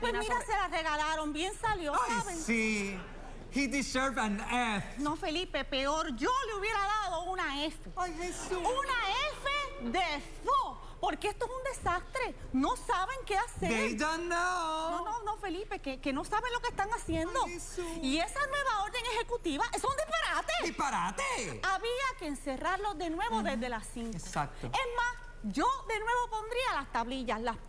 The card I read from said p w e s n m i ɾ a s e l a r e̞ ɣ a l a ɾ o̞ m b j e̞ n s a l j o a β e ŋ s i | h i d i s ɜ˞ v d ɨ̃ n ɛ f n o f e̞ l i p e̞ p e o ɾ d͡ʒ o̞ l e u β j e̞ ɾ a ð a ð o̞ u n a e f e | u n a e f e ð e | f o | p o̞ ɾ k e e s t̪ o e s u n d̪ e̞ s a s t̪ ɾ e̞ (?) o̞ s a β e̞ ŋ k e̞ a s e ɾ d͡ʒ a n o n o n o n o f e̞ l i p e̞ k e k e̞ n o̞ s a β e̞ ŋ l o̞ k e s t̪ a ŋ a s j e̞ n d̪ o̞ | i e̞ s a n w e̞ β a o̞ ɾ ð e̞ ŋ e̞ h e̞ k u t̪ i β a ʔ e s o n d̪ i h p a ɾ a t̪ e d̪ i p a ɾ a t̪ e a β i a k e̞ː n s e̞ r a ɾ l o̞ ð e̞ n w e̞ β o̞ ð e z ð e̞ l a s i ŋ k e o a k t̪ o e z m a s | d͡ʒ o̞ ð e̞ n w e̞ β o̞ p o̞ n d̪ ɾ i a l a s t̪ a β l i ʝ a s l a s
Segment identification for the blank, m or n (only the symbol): n